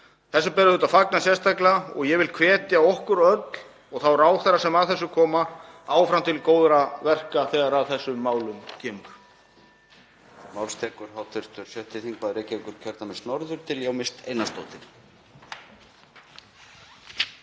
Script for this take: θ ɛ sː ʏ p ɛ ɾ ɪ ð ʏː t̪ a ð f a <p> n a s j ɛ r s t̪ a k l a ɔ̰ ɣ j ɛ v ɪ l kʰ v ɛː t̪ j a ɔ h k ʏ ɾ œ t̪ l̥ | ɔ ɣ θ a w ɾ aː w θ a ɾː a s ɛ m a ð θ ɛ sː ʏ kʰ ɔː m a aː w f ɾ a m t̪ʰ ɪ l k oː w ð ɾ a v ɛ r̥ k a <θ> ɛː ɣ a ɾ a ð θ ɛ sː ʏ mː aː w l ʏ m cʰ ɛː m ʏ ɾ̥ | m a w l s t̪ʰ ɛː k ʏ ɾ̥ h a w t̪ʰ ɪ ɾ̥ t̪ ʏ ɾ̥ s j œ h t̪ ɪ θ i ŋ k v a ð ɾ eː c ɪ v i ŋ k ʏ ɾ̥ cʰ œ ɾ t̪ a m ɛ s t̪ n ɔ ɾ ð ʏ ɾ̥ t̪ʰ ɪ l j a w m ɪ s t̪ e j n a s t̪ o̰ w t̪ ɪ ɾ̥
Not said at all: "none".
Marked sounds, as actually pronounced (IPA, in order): k, θ

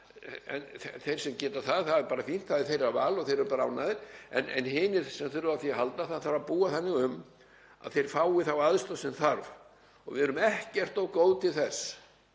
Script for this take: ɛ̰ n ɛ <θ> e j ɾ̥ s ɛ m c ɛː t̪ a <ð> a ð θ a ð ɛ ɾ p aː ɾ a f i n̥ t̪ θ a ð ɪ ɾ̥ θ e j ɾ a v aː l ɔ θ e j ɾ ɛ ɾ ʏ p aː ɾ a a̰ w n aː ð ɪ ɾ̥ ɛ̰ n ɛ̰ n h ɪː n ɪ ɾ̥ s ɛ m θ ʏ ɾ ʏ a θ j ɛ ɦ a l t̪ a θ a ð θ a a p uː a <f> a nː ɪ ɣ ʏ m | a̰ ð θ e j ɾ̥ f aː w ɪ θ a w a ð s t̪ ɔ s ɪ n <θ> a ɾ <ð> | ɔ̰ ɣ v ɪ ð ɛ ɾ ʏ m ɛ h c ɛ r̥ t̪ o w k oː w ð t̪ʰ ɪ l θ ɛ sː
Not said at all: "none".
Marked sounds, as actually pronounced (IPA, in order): θ, θ, θ, θ, v

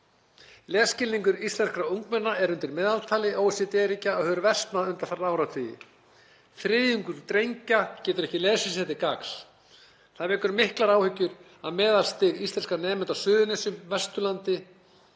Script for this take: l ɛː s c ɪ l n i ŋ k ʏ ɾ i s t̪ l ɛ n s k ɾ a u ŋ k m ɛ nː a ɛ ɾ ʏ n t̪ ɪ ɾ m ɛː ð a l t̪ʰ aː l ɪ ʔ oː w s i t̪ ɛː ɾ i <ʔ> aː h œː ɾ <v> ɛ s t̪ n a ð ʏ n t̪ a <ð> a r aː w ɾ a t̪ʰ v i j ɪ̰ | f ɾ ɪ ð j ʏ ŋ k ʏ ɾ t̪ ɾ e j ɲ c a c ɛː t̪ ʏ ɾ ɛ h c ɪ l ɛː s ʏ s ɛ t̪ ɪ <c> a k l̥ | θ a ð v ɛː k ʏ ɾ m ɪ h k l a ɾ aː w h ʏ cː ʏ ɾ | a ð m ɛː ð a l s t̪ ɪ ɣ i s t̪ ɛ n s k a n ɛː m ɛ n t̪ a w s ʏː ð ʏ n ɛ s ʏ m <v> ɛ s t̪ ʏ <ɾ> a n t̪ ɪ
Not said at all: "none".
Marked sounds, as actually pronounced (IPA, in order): c, v, θ, k, v, l

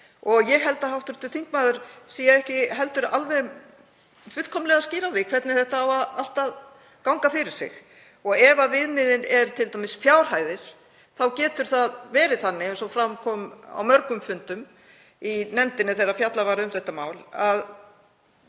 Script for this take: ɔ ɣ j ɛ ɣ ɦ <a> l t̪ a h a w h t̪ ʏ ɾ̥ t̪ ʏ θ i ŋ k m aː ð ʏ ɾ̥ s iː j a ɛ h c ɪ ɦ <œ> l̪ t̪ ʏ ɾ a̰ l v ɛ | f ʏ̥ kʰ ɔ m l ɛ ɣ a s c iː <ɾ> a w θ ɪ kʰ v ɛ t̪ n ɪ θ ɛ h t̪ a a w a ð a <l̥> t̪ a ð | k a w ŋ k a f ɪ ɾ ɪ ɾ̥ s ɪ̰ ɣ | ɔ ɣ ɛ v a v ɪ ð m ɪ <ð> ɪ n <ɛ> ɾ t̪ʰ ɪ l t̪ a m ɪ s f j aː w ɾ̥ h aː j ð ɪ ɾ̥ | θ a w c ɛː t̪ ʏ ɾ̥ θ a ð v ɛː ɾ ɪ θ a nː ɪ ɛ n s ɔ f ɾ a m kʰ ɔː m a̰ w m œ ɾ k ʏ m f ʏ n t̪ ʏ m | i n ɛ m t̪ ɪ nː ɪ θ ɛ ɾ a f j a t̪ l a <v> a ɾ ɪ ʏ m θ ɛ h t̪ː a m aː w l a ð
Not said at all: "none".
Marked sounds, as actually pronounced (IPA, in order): ɛ, ɛ, ɾ, l̥, ð, ɛ, v

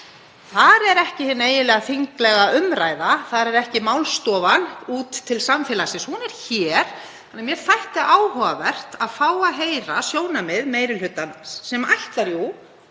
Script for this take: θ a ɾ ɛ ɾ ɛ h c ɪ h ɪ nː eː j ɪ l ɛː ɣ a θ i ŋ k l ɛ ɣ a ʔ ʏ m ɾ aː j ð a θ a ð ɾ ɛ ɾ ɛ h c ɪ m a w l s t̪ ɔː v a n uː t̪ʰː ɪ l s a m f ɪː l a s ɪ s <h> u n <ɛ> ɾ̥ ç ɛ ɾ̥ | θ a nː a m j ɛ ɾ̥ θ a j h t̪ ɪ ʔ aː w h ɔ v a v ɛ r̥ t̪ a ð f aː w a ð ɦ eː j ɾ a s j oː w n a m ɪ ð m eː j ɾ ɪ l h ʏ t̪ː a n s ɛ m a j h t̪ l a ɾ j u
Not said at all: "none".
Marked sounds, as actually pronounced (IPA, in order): h, ɛ

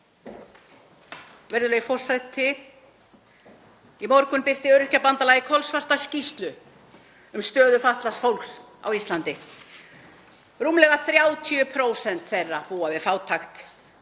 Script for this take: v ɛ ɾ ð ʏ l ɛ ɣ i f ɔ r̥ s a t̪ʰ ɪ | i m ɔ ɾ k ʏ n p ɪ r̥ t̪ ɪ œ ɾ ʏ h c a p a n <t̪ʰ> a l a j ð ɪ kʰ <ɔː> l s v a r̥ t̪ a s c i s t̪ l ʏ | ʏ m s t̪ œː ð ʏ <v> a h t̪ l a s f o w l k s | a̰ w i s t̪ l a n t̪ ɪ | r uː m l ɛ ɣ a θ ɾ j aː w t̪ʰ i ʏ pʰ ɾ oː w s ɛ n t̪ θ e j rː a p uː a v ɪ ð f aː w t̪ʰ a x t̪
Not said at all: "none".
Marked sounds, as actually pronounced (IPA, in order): t̪, ɔ, f

